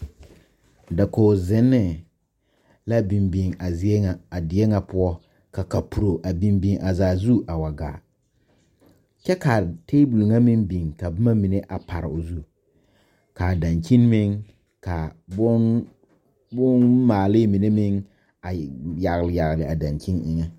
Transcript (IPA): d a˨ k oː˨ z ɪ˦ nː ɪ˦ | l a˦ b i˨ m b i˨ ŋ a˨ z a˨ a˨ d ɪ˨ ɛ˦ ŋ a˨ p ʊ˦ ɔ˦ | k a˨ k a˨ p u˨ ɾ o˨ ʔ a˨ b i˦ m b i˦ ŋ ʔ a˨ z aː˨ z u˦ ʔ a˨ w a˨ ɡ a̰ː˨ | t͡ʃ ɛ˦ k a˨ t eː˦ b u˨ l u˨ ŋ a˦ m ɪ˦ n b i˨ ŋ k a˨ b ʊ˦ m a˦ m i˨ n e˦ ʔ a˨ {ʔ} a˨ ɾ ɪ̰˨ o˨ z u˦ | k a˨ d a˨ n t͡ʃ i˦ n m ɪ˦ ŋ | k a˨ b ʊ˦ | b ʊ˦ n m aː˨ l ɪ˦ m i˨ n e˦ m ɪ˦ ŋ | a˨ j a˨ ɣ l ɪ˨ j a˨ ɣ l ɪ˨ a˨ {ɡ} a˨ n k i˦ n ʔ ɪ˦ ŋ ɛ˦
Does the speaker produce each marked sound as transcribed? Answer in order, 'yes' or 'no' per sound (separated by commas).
no, no